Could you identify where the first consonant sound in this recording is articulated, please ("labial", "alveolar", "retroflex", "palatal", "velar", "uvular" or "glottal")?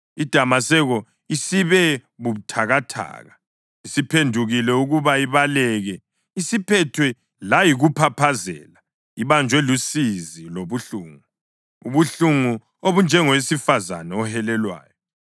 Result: alveolar